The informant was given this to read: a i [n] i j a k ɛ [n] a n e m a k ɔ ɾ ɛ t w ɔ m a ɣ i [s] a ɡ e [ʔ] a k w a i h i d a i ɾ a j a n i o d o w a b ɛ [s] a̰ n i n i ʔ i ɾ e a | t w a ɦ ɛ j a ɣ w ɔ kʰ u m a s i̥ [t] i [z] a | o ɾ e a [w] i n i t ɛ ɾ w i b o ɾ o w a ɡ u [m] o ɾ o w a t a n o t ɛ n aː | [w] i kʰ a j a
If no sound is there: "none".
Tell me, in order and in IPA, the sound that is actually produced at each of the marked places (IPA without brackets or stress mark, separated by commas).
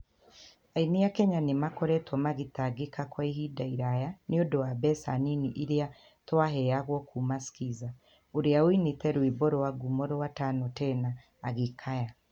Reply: n, ɲ, t, k, s, k, z, w, m, ɣ